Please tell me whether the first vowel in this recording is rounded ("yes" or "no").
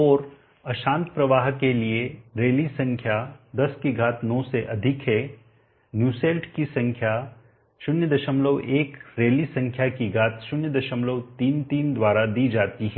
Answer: yes